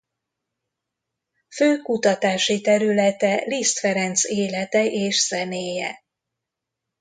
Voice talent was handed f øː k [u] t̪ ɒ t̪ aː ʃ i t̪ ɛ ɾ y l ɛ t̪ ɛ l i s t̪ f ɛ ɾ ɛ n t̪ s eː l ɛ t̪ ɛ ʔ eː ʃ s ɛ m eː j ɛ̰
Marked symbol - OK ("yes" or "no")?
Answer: yes